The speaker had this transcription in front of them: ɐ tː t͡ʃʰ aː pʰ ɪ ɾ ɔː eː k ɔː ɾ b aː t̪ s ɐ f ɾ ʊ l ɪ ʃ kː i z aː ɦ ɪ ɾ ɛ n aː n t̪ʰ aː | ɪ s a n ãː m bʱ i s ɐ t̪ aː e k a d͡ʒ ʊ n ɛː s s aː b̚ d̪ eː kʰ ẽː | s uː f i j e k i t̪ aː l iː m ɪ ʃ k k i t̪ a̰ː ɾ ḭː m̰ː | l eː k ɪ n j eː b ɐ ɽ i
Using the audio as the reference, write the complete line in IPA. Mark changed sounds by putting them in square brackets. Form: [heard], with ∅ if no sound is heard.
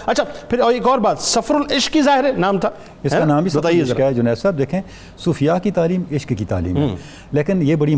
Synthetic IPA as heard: ɐ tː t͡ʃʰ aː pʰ ɪ ɾ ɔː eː k ɔː ɾ b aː t̪ s ɐ f ɾ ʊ l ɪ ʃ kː i z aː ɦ ɪ ɾ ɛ n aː [m] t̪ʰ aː | ɪ s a n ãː m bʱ i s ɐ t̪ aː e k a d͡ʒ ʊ n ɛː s s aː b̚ d̪ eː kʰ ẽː | s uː f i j [a] k i t̪ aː l iː m ɪ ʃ k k i t̪ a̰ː [l] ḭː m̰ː | l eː k ɪ n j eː b ɐ ɽ i